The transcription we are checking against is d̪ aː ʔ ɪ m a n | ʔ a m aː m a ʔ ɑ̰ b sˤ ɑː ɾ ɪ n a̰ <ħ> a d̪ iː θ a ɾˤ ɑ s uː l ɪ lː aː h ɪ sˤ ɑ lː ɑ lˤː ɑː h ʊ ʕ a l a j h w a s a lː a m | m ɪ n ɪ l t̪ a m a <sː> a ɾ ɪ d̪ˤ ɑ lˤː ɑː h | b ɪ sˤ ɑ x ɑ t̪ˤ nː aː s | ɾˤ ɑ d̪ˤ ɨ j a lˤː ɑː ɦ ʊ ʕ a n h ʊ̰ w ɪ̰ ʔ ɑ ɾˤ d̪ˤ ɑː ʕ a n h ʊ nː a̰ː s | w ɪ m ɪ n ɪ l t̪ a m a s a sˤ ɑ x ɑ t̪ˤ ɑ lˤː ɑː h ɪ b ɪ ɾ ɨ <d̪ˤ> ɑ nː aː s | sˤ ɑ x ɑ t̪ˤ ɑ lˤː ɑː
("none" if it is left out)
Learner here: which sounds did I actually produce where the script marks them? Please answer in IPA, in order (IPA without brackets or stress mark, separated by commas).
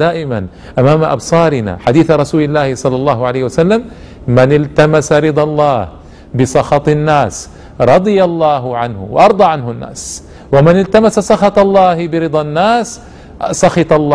ħ, s, d̪ˤ